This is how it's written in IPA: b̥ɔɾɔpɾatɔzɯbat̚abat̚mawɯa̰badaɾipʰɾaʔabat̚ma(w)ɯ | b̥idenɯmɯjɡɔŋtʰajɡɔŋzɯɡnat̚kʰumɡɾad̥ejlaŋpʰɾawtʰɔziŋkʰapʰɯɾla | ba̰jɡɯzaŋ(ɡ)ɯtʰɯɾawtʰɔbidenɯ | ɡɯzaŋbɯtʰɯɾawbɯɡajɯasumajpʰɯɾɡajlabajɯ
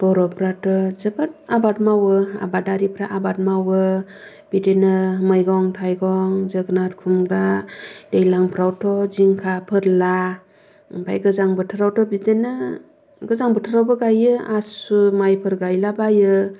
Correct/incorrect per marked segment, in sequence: correct, incorrect

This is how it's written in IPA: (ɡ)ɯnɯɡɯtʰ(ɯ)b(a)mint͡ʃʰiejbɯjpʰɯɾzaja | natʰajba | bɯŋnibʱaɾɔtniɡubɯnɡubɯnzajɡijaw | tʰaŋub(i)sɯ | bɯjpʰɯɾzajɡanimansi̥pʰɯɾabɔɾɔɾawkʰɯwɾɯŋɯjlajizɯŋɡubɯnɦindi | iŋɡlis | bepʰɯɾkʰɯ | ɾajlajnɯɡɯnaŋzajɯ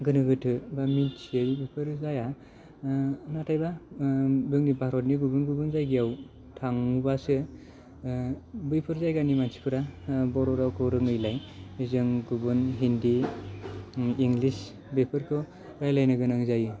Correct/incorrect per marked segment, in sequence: correct, correct, correct, incorrect

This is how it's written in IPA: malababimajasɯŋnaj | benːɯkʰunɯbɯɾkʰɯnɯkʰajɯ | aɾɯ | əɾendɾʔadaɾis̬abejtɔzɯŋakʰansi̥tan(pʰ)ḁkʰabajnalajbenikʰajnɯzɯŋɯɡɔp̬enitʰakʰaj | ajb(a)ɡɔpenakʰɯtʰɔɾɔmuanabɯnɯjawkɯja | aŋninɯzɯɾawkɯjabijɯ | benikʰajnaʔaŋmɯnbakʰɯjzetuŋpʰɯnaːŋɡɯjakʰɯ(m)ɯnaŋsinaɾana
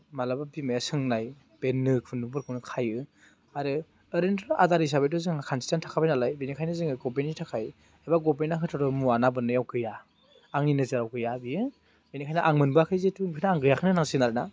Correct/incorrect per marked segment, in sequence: incorrect, correct, incorrect

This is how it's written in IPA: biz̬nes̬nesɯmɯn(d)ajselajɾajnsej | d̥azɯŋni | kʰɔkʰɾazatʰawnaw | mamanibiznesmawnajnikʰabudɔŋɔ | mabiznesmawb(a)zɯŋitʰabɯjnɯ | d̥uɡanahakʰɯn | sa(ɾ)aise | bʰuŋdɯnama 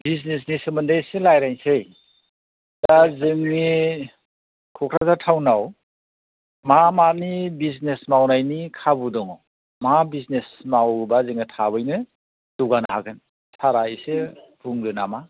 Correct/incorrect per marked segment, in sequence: correct, correct, correct

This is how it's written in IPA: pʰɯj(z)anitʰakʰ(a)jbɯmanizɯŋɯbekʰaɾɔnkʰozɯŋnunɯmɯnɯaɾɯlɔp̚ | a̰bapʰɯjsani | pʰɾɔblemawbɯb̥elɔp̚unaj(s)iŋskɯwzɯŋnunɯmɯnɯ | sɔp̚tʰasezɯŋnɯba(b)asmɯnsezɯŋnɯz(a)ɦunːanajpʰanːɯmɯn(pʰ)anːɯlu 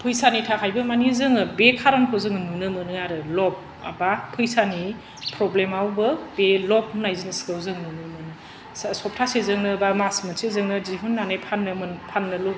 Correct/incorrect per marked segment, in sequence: incorrect, correct, incorrect, incorrect, incorrect, correct

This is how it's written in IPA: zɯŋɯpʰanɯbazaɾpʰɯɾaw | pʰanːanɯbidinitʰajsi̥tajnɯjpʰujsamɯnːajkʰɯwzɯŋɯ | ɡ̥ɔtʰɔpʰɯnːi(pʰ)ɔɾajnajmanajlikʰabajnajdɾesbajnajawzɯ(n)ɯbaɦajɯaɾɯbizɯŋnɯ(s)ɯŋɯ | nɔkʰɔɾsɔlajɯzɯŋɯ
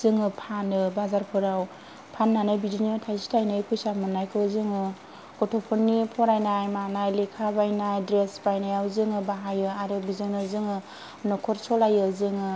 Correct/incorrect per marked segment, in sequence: correct, incorrect, incorrect

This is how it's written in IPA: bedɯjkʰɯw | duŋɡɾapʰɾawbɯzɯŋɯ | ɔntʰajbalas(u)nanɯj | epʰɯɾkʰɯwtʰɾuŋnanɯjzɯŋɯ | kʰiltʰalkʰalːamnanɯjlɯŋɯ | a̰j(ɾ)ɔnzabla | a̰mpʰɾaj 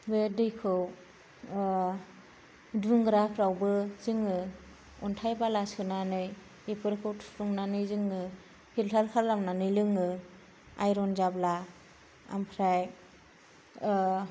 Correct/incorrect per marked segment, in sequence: incorrect, correct

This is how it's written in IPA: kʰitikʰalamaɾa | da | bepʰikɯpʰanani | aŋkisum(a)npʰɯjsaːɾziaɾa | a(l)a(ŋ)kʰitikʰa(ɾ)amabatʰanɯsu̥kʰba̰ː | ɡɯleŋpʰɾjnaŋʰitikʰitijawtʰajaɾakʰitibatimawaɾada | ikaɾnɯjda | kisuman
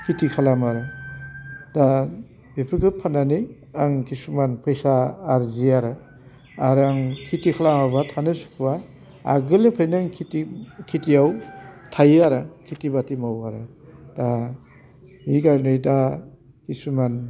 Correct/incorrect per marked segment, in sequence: correct, incorrect, correct, incorrect

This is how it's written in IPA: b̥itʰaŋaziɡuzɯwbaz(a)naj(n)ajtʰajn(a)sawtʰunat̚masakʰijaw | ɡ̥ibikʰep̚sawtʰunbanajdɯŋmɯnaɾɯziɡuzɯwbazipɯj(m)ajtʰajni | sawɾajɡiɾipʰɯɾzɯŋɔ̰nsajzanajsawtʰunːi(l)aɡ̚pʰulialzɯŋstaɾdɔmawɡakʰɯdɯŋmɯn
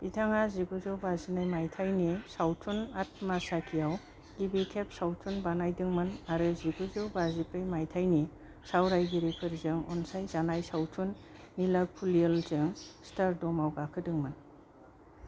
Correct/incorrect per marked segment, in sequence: incorrect, incorrect, incorrect, correct, correct

